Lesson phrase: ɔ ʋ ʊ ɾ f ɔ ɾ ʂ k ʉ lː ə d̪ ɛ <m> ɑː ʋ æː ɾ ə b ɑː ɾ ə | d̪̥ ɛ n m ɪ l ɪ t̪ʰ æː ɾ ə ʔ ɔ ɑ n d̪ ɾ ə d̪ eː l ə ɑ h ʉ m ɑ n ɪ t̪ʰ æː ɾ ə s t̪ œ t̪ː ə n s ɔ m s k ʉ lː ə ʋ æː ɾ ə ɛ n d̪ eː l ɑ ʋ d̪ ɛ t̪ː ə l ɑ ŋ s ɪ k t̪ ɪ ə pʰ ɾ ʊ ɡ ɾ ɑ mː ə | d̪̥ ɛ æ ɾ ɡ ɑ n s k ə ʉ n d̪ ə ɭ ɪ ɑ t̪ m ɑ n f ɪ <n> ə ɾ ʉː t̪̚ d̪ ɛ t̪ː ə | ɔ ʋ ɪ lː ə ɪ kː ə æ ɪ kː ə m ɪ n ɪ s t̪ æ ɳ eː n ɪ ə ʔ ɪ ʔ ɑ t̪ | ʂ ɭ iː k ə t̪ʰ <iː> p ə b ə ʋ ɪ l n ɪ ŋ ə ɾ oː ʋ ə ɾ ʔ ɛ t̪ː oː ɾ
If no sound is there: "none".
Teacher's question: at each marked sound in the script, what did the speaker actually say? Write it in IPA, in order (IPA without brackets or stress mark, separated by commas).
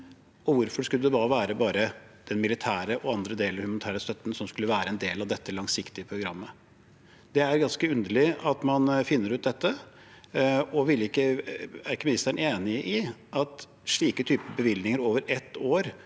b, nː, yː